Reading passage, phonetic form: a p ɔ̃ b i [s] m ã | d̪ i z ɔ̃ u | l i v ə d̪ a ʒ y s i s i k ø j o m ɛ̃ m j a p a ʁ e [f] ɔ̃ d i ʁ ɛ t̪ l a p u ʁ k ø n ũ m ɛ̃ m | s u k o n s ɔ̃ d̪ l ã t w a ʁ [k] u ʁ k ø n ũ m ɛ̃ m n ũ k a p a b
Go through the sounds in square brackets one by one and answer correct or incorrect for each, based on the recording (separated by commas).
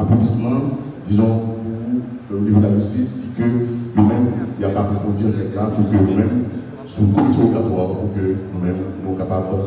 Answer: correct, correct, incorrect